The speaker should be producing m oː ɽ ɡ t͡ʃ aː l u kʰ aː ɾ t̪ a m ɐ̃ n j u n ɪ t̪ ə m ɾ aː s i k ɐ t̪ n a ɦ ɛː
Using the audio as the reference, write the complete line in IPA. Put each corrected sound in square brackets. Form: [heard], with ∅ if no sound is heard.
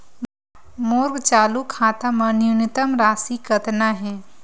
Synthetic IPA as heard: m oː [ɾ] ɡ t͡ʃ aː l u kʰ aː [∅] t̪ a m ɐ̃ n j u n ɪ t̪ ə m ɾ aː s i k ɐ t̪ n a ɦ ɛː